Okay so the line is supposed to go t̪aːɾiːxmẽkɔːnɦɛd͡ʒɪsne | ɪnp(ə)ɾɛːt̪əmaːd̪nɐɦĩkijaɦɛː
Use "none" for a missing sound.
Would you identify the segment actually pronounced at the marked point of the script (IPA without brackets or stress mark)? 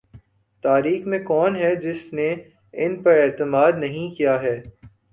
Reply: ɐ